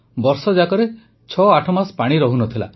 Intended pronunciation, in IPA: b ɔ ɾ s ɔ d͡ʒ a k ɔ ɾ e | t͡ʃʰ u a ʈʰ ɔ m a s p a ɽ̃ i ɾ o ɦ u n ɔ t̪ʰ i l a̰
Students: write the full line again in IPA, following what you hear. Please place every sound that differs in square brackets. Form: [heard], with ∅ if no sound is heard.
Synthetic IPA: b ɔ ɾ s ɔ d͡ʒ a k ɔ ɾ e | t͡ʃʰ [ɔ] a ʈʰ ɔ m a s p a ɽ̃ i ɾ [ɔ] ɦ u n ɔ t̪ʰ i l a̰